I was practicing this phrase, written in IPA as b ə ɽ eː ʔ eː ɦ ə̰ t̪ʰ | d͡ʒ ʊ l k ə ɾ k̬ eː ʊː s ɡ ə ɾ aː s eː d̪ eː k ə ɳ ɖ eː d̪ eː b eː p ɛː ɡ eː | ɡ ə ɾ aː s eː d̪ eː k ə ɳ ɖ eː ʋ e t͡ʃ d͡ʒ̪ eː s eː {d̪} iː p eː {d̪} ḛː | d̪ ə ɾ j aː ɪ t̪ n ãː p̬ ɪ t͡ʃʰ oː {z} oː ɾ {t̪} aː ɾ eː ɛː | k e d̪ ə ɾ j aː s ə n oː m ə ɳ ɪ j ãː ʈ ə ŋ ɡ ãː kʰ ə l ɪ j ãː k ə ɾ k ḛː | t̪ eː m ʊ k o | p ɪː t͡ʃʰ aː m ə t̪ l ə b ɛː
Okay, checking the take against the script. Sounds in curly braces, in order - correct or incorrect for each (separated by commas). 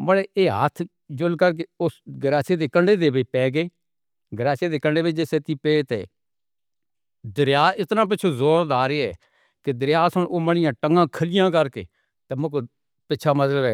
incorrect, incorrect, correct, incorrect